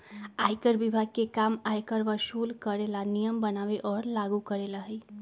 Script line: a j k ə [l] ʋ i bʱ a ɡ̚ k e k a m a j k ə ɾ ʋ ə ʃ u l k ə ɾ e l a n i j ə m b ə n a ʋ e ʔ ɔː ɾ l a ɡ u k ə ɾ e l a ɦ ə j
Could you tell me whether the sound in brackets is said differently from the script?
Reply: yes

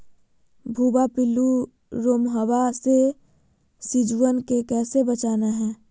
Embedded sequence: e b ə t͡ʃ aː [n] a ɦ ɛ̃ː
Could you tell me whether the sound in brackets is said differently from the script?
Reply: no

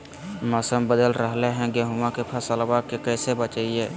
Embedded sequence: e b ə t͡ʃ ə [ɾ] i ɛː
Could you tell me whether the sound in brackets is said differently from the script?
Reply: yes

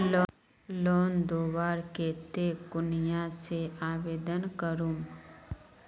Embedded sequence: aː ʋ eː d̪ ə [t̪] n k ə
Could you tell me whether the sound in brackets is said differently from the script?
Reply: yes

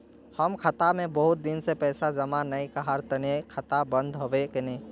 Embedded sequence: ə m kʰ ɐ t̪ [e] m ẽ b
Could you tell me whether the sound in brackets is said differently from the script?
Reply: yes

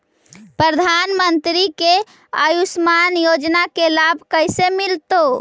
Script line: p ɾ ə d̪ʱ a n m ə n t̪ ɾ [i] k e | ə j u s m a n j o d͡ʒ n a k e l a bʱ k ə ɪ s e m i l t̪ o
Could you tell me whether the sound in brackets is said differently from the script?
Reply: no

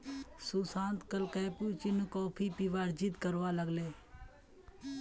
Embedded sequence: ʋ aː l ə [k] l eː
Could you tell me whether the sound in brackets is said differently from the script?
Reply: yes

